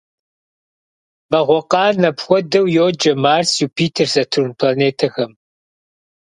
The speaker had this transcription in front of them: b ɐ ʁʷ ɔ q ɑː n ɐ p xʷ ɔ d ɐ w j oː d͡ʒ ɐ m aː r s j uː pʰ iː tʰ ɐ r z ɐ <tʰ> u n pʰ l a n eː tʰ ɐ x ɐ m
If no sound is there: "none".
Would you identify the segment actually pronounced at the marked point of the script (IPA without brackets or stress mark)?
tʰ